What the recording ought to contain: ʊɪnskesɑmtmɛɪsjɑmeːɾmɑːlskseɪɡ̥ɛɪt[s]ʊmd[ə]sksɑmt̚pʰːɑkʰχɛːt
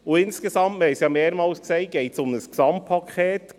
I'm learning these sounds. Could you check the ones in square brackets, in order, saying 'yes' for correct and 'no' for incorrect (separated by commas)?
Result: yes, yes